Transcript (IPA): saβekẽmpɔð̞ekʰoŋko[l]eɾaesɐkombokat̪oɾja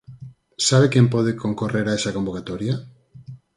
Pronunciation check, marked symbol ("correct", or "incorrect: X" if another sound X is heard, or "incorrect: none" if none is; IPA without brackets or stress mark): incorrect: r